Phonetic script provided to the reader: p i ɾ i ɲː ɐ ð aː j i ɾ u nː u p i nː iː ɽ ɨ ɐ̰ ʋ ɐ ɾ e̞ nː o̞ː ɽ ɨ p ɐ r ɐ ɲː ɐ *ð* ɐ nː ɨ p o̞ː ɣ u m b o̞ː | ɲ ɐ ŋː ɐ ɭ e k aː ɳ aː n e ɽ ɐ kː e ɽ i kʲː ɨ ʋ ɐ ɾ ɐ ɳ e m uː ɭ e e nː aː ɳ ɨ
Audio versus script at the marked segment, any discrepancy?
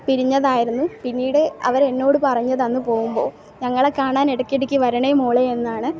no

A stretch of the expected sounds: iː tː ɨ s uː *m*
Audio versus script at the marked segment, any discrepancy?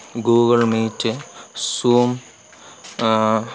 no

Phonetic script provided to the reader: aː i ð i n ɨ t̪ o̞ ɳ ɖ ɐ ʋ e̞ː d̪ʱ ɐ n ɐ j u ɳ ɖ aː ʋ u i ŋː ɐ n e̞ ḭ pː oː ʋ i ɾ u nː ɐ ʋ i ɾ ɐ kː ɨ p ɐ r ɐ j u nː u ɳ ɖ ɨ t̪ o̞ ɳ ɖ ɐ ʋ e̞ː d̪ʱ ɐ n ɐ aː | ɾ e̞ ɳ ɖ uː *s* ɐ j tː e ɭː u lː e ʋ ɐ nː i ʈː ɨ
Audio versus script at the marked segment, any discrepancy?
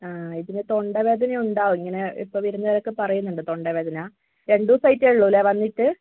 no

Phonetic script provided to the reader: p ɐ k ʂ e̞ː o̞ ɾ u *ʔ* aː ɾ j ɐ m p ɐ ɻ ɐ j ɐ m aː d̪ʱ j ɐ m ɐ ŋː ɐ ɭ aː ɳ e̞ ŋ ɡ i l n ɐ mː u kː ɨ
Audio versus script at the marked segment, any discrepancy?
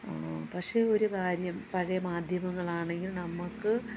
yes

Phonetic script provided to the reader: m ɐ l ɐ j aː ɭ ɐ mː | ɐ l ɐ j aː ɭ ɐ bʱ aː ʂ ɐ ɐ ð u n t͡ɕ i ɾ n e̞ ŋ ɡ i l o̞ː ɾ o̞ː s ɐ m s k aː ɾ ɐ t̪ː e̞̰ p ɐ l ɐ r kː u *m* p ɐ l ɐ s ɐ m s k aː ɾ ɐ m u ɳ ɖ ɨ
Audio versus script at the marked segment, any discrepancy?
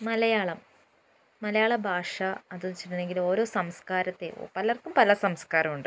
no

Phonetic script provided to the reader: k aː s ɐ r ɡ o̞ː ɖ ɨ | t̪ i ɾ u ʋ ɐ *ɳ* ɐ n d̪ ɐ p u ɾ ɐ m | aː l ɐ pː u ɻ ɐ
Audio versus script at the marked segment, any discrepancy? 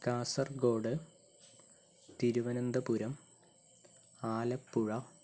yes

